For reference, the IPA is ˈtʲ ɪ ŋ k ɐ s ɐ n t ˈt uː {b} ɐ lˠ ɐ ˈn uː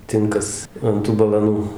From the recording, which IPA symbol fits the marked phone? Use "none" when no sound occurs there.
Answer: b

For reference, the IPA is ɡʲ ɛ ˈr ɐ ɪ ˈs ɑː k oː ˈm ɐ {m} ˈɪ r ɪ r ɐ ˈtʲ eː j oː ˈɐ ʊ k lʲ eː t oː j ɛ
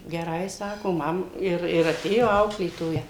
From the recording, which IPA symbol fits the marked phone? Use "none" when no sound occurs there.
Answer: m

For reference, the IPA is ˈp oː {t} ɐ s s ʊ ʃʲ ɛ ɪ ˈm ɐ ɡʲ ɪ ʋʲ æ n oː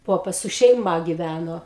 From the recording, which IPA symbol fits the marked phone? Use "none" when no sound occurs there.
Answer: p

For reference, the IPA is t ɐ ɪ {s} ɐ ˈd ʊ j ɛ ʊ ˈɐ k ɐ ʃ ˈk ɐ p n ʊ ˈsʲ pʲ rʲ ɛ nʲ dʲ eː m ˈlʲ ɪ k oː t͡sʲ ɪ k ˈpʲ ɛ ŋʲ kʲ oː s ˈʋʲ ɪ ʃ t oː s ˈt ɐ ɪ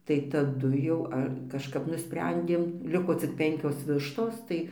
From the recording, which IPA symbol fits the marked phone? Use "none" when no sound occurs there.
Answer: t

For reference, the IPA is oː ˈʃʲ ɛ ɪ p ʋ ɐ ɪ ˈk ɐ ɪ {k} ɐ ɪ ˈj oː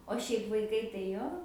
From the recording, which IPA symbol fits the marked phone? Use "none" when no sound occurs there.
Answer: t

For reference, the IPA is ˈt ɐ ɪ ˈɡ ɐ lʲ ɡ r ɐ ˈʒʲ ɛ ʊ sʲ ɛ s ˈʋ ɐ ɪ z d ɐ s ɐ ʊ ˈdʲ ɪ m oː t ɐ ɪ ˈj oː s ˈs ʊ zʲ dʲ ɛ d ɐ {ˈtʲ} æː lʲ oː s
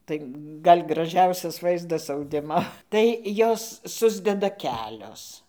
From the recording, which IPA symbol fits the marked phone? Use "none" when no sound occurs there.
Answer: kʲ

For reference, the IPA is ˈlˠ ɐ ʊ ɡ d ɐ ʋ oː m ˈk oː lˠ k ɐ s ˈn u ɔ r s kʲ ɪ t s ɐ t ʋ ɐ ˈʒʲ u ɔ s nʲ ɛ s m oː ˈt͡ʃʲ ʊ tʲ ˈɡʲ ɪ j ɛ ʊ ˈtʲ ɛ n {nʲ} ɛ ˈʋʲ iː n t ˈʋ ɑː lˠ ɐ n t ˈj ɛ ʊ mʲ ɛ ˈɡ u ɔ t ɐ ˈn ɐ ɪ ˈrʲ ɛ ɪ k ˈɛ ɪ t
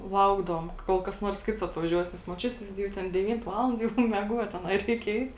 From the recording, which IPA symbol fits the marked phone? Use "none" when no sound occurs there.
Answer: dʲ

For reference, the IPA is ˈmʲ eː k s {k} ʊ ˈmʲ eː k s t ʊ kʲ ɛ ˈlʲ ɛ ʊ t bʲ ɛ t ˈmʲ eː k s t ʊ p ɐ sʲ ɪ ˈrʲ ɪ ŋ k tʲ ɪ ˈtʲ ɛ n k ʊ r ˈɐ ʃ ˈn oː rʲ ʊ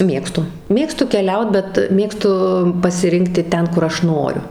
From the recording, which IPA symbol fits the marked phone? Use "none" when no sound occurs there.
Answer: t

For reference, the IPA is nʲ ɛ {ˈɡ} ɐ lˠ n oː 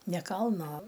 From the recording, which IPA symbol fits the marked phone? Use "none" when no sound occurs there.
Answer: k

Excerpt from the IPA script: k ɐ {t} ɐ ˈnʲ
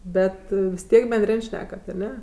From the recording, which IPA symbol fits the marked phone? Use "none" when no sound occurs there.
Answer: t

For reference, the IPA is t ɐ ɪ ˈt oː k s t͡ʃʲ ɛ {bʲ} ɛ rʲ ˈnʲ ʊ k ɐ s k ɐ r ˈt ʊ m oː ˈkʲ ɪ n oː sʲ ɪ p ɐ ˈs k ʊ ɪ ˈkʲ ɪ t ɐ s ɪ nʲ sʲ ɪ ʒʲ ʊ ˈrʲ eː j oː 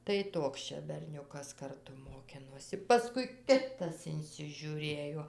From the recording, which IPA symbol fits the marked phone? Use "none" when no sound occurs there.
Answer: bʲ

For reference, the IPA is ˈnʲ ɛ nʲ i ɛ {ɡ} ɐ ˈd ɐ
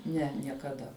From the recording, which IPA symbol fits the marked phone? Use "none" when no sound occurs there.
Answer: k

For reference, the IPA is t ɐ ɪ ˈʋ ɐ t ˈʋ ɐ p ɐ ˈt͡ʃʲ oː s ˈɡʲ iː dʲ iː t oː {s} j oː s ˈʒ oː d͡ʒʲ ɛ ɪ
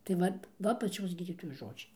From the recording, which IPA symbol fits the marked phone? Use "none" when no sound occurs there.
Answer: none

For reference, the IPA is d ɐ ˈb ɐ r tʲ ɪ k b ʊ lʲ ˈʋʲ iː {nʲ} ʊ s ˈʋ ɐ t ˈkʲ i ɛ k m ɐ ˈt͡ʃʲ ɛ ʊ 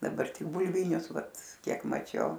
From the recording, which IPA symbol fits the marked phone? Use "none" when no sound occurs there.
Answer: nʲ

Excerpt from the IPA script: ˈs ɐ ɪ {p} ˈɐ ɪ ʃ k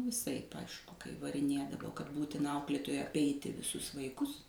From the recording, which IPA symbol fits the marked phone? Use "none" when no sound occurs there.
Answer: p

